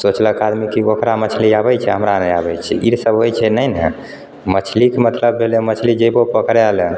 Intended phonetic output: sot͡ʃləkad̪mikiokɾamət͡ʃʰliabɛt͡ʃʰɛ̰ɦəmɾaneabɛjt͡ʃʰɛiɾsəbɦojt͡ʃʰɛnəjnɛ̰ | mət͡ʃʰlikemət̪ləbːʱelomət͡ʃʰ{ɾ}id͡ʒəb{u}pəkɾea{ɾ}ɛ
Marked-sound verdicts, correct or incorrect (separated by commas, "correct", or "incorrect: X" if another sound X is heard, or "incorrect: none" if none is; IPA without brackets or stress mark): incorrect: l, incorrect: o, incorrect: l